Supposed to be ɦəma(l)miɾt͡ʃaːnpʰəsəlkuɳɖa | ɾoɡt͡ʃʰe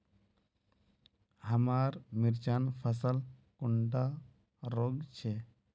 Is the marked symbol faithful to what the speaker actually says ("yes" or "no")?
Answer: no